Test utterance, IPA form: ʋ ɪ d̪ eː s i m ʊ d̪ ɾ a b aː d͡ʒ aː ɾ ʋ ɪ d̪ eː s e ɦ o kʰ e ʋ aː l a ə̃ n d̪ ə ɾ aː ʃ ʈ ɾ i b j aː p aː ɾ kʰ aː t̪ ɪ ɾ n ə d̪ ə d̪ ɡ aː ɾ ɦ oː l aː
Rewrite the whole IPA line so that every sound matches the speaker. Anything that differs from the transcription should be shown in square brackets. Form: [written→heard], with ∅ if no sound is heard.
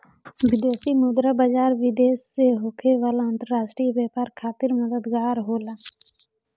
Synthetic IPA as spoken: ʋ ɪ d̪ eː s i m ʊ d̪ ɾ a b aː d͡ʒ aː ɾ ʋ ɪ d̪ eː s e ɦ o kʰ e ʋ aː l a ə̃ n [d̪→t̪] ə ɾ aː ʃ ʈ ɾ i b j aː p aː ɾ kʰ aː t̪ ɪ ɾ [n→m] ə d̪ ə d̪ ɡ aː ɾ ɦ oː l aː